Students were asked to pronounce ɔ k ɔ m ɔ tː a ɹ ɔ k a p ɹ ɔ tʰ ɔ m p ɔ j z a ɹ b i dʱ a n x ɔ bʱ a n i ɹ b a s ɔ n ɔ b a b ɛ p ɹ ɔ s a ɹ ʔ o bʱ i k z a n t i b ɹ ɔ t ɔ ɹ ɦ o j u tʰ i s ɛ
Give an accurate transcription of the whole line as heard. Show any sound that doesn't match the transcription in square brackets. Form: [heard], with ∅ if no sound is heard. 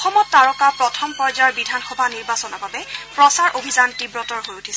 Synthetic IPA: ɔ [x] ɔ m ɔ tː a ɹ ɔ k a p ɹ ɔ tʰ ɔ m p ɔ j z a ɹ b i dʱ a n x ɔ bʱ a n i ɹ b a s ɔ n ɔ b a b ɛ p ɹ ɔ s a ɹ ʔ o bʱ i [∅] z a n t i b ɹ ɔ t ɔ ɹ ɦ o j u tʰ i s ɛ